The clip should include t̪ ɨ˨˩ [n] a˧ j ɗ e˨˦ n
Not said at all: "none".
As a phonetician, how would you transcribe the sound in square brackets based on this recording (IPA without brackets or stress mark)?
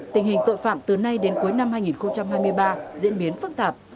n